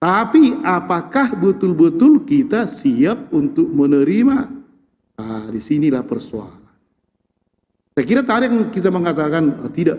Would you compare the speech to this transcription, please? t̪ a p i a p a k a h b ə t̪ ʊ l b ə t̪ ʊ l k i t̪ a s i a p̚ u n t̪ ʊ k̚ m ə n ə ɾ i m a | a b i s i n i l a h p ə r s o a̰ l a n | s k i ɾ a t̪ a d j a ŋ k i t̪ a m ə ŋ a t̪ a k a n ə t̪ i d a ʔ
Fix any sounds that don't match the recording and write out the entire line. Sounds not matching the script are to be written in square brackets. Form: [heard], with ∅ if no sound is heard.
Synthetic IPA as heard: t̪ a p i a p a k a h b ə t̪ ʊ l b ə t̪ ʊ l k i t̪ a s i a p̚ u n t̪ ʊ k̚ m ə n ə ɾ i m a | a [d] i s i n i l a h p ə r s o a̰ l a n | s k i ɾ a t̪ a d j a ŋ k i t̪ a m ə ŋ a t̪ a k a n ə t̪ i d a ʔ